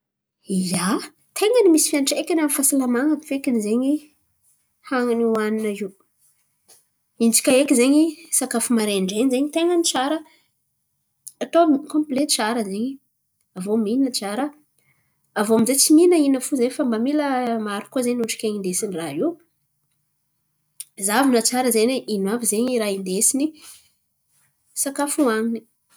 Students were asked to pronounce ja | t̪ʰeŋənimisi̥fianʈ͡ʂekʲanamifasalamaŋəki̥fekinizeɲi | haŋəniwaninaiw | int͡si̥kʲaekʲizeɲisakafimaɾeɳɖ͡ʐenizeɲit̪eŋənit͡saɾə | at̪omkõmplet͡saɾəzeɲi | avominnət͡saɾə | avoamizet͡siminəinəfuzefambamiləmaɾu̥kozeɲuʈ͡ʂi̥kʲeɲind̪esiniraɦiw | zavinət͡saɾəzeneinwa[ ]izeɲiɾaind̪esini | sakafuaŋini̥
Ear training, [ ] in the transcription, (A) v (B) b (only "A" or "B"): A